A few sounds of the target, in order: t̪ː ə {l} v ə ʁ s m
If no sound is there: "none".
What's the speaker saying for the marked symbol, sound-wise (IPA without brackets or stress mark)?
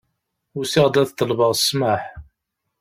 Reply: l